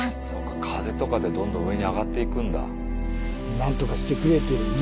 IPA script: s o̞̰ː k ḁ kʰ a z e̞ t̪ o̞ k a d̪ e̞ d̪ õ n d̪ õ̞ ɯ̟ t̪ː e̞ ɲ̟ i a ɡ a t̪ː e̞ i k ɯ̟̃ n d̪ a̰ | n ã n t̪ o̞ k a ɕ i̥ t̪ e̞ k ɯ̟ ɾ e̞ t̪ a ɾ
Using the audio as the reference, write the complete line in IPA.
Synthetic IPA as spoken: s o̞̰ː k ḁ kʰ a z e̞ t̪ o̞ k a d̪ e̞ d̪ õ n d̪ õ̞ ɯ̟ e̞ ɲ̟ i a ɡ a t̪ː e̞ i k ɯ̟̃ n d̪ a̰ | n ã n t̪ o̞ k a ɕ i̥ t̪ e̞ k ɯ̟ ɾ e̞ t̪ e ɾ